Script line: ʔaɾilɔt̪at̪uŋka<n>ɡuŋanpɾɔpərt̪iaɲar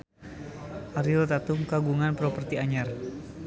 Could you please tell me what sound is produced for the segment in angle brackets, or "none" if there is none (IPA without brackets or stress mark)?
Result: none